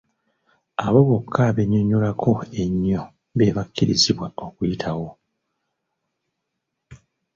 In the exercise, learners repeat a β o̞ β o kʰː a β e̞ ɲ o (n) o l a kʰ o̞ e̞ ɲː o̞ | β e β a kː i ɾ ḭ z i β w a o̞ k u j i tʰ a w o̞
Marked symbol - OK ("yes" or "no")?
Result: no